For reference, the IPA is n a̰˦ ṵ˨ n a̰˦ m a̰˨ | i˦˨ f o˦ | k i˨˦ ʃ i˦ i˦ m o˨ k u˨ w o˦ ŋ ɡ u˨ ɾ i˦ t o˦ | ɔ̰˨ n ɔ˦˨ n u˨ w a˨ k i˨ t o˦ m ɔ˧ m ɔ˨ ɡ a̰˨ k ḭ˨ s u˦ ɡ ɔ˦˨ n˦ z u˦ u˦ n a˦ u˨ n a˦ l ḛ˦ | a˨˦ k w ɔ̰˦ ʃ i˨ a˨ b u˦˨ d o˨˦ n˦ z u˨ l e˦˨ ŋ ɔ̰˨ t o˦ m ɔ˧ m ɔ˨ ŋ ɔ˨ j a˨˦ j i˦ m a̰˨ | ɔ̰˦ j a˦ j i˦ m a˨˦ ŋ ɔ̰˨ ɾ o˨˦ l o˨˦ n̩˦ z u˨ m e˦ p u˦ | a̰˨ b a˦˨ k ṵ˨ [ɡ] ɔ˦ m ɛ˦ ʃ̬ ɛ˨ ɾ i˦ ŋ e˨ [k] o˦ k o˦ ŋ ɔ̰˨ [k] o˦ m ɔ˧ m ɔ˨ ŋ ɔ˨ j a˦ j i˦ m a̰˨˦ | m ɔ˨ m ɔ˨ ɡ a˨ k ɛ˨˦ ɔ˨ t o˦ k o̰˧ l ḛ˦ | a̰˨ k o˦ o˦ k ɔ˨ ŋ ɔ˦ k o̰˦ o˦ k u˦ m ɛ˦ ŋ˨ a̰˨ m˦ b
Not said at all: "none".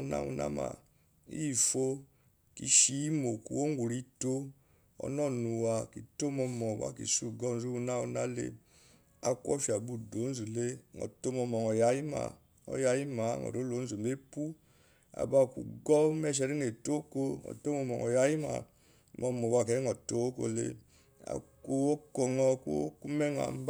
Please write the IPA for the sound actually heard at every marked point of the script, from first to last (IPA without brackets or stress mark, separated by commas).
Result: ɡ, t, t